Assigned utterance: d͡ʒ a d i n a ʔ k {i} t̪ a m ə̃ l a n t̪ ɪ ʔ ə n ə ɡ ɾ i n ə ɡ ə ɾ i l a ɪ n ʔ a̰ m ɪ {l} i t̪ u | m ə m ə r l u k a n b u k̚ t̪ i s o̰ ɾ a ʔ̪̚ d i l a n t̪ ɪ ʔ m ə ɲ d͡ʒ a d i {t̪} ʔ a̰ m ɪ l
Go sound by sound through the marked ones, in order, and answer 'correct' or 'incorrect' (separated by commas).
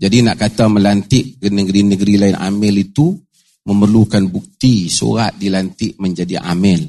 incorrect, correct, incorrect